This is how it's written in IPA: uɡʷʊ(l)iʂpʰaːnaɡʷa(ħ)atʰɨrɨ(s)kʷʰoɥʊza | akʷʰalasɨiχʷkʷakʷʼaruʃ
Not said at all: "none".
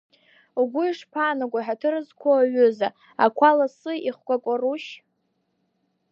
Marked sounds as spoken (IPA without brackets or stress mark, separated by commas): none, ħ, z